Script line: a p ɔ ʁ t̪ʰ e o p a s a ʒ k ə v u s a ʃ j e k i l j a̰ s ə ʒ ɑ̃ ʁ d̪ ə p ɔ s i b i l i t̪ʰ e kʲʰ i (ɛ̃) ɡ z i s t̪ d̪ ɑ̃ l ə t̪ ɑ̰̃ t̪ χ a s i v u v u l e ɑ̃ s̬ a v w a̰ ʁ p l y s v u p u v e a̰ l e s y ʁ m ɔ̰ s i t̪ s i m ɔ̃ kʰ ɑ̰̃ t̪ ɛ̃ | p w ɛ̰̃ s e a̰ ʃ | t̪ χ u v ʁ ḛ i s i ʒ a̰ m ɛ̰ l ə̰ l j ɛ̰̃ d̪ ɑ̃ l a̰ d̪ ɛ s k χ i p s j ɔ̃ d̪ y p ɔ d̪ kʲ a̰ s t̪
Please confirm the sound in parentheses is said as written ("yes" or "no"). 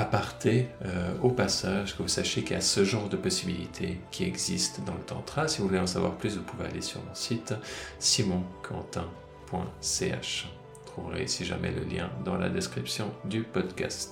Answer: no